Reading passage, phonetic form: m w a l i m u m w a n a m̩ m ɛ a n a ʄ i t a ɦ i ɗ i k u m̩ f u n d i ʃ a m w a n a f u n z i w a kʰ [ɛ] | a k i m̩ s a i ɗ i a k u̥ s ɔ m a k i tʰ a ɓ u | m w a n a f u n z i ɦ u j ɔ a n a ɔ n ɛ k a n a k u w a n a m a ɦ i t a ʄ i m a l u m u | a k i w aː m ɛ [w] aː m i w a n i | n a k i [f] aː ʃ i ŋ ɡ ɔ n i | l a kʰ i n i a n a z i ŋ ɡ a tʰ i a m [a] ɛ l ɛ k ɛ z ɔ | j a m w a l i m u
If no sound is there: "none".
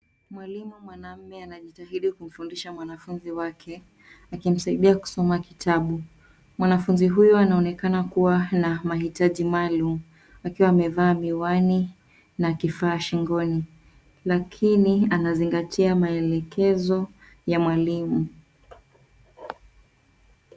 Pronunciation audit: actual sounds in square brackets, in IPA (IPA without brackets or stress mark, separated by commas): ɛ, v, f, a